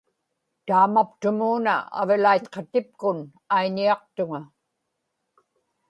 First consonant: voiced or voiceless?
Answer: voiceless